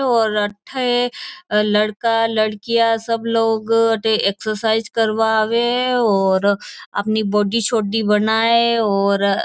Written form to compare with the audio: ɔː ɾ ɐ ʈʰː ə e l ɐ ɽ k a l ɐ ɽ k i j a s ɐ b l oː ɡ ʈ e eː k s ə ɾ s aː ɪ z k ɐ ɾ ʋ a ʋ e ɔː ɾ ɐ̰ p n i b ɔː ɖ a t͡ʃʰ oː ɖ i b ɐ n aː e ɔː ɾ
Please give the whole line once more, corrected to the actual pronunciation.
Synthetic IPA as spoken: ɔː ɾ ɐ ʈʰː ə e l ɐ ɽ k a l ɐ ɽ k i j a s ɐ b l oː ɡ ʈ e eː k s ə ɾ s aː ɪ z k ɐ ɾ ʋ a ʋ e ɔː ɾ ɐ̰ p n i b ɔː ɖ i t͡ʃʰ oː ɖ i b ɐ n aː e ɔː ɾ

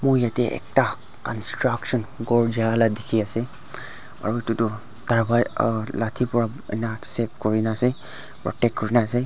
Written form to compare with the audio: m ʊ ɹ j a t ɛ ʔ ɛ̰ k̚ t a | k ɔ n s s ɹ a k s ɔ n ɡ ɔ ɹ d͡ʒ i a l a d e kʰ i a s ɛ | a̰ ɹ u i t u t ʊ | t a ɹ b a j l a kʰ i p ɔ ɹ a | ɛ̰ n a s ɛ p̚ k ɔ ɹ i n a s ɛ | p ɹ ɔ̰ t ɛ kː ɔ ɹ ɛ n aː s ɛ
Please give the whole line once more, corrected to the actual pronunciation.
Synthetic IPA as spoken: m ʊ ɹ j a t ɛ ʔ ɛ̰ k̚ t a | k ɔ n s t ɹ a k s ɔ n ɡ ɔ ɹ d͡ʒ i a l a d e kʰ i a s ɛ | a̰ ɹ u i t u t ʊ | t a ɹ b a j l a tʰ i p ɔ ɹ a | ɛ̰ n a s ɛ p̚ k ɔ ɹ i n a s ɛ | p ɹ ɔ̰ t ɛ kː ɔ ɹ i n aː s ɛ

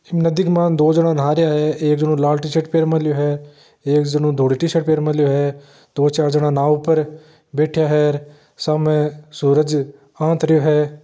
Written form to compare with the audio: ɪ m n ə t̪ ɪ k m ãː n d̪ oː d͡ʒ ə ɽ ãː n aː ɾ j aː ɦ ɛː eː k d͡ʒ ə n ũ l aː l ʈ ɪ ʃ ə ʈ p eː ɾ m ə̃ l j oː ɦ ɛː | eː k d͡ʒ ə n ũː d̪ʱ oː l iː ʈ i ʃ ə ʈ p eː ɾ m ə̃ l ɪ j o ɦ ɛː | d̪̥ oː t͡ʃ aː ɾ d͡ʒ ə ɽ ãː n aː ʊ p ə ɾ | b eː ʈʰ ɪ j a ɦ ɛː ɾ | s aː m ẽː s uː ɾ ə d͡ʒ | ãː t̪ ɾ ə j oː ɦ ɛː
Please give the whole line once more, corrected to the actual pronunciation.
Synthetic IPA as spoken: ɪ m n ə d̪ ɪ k m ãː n d̪ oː d͡ʒ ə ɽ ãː n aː ɾ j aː ɦ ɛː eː k d͡ʒ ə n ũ l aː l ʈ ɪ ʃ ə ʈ p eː ɾ m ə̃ l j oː ɦ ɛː | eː k d͡ʒ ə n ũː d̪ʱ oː ɽ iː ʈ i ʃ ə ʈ p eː ɾ m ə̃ l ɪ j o ɦ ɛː | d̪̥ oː t͡ʃ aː ɾ d͡ʒ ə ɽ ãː n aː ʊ p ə ɾ | b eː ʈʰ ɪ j a ɦ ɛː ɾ | s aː m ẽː s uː ɾ ə d͡ʒ | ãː t̪ ɾ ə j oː ɦ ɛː

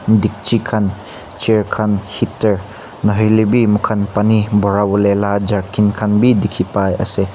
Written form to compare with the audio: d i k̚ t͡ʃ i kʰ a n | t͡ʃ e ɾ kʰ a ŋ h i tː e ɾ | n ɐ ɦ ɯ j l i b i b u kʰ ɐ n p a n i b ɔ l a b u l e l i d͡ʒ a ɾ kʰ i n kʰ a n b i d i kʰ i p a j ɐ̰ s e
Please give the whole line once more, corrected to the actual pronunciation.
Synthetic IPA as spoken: d i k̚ t͡ʃ i kʰ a n | t͡ʃ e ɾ kʰ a n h i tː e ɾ | n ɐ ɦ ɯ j l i b i m u kʰ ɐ n p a n i b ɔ ɾ a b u l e l a d͡ʒ a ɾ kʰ i n kʰ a n b i d i kʰ i p a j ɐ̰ s e

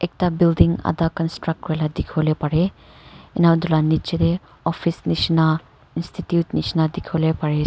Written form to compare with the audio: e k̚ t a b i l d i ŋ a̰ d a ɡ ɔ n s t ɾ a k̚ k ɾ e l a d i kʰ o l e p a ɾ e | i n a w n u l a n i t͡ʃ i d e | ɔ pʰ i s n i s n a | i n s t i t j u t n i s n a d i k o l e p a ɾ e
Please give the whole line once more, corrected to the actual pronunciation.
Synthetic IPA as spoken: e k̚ t a b i l d i ŋ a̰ d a k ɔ n s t ɾ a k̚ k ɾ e l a d i kʰ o l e p a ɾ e | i n a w d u l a n i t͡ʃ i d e | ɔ pʰ i s n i s n a | i n s t i t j u t n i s n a d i kʰ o l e p a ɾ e

